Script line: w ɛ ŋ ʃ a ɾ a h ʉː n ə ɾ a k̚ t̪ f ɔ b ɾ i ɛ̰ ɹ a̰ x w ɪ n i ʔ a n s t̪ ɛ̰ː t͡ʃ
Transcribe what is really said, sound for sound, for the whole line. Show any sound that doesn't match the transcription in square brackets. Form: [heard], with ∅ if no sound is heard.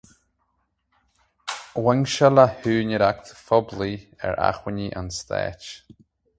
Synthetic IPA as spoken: w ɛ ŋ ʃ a [l] a h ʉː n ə ɾ a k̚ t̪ f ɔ b [l] i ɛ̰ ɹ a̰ x w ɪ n i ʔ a n s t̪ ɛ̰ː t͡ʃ